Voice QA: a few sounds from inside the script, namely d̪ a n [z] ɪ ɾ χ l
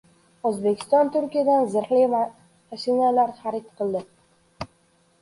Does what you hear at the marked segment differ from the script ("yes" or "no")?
no